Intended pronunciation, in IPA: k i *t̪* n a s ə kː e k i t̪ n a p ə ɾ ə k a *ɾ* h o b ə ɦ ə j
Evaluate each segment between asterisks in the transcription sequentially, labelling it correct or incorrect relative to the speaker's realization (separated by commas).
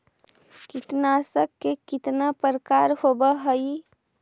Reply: correct, correct